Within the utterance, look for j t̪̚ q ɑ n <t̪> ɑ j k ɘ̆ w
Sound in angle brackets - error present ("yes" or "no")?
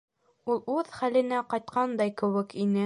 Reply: yes